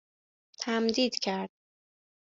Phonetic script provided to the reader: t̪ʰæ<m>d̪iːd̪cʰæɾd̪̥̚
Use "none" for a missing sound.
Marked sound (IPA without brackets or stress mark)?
m